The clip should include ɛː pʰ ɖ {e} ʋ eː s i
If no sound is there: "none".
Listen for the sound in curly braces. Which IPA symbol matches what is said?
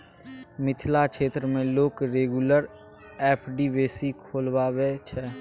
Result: i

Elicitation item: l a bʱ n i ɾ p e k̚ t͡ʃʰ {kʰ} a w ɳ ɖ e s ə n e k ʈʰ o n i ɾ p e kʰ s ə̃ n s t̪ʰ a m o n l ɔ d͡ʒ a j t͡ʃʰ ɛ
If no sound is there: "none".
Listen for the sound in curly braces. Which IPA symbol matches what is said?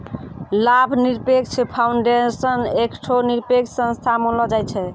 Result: pʰ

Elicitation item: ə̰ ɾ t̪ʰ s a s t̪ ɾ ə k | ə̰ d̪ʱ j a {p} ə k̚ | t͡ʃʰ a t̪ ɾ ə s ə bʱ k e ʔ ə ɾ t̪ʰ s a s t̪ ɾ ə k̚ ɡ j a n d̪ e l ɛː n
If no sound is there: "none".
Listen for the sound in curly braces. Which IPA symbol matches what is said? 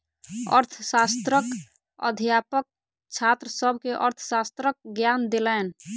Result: p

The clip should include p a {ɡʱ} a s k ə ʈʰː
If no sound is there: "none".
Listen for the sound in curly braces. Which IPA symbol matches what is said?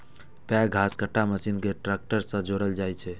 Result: ɡʱ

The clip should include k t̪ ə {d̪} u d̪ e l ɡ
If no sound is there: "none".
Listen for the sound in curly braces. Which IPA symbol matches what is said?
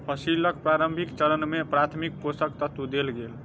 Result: t̪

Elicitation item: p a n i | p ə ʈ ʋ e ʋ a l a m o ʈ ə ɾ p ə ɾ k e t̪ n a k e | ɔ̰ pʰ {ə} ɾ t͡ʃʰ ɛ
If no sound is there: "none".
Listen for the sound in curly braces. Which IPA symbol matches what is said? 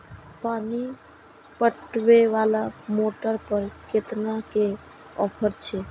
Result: ə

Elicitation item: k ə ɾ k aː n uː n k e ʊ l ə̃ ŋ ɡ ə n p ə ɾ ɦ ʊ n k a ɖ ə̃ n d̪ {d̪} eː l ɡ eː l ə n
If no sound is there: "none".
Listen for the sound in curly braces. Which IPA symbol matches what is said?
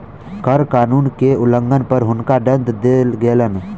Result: d̪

